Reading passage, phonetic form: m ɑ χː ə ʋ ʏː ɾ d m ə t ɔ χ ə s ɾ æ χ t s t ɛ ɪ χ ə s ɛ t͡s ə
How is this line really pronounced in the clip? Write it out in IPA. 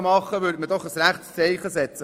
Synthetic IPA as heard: m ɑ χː ə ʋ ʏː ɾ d m ə d ɔ χ ə s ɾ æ χ t s t͡s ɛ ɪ χ ə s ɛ t͡s ə